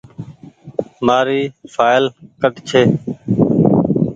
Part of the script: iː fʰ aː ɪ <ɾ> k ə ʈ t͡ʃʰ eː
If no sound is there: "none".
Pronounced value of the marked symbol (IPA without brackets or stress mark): l